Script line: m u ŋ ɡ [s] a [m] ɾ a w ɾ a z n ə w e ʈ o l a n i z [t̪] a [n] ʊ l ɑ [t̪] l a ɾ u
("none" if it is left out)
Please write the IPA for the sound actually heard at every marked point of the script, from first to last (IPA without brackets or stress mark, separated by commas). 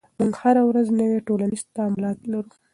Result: h, none, t̪, m, t̪